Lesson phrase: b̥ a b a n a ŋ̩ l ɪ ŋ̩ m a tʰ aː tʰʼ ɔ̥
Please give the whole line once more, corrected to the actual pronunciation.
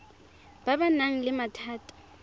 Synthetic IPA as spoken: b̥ a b a n a ŋ̩ l ɪ m a tʰ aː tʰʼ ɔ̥